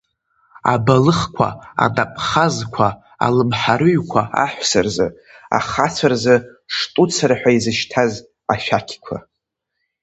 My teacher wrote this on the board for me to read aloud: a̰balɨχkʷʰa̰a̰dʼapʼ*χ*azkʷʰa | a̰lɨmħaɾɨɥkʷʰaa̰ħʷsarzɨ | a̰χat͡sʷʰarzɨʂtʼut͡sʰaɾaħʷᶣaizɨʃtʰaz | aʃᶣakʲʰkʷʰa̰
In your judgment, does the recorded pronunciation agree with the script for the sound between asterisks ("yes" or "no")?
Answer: yes